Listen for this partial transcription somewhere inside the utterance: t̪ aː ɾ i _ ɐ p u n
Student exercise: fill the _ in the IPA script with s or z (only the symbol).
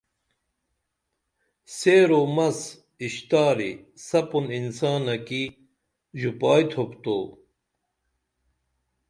s